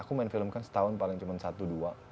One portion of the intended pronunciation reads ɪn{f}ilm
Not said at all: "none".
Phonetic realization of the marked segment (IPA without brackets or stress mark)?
f